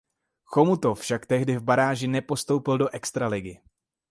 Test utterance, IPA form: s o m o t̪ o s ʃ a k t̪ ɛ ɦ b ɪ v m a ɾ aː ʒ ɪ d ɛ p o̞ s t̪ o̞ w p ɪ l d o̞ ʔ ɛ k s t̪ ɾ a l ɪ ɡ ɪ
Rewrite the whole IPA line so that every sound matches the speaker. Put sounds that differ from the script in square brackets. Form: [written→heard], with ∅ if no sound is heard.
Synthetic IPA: [s→x] o m [o→u] t̪ o [s→f] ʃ a k t̪ ɛ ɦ [b→d] ɪ v [m→b] a ɾ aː ʒ ɪ [d→n] ɛ p o̞ s t̪ o̞ w p ɪ l d o̞ ʔ ɛ k s t̪ ɾ a l ɪ ɡ ɪ